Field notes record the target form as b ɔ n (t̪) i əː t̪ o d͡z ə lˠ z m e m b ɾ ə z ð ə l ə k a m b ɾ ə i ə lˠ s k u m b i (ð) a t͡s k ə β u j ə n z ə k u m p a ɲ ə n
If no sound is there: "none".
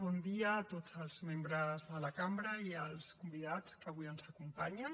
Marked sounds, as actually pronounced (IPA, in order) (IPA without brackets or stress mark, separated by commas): d̪, ð